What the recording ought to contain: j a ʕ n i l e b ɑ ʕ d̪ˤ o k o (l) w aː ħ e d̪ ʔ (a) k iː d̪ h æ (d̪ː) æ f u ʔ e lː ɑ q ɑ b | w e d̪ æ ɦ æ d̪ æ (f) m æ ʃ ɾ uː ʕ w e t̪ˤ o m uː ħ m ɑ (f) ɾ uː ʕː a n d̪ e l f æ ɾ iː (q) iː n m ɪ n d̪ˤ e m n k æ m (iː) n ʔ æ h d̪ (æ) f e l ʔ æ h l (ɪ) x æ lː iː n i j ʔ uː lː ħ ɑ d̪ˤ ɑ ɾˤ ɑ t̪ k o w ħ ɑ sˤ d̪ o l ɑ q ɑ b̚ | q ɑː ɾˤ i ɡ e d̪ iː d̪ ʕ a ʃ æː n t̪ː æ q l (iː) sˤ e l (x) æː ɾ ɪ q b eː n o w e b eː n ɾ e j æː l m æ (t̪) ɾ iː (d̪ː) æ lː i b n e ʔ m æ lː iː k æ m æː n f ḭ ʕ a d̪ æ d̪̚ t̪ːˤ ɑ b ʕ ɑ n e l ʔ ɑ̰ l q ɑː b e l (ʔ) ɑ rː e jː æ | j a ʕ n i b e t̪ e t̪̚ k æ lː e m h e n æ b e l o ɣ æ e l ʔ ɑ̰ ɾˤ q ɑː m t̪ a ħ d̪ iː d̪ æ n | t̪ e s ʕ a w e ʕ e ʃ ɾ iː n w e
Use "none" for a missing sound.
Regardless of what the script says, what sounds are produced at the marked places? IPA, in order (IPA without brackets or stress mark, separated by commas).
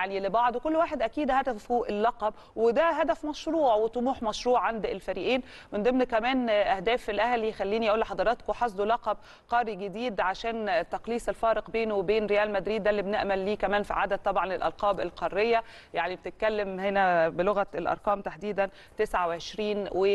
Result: lː, æ, d̪, f, ʃ, ʔ, æː, æː, i, iː, f, d̪, d̪ː, q